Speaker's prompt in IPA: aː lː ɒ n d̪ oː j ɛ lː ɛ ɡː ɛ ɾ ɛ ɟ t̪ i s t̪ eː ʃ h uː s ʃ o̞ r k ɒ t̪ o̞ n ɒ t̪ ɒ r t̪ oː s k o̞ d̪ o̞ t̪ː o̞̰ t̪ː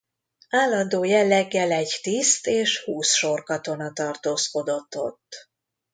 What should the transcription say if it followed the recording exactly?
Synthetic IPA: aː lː ɒ n d̪ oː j ɛ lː ɛ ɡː ɛ l ɛ ɟ t̪ i s t̪ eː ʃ h uː s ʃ o̞ r k ɒ t̪ o̞ n ɒ t̪ ɒ r t̪ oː s k o̞ d̪ o̞ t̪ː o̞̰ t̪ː